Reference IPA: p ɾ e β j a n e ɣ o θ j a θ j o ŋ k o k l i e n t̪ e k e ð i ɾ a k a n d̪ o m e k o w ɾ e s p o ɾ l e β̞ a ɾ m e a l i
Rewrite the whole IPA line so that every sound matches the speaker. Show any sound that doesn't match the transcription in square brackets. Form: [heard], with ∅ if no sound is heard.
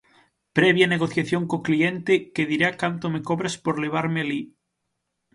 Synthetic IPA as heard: p ɾ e β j a n e ɣ o θ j a θ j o ŋ k o k l i e n t̪ e k e ð i ɾ a k a n [t̪] o m e k o [β] ɾ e s p o ɾ l e β̞ a ɾ m e a l i